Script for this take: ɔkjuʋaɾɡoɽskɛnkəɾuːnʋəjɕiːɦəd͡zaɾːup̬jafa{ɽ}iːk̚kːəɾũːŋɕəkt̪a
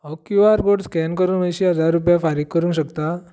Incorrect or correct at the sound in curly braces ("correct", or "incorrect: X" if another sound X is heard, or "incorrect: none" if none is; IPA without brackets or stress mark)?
incorrect: ɾ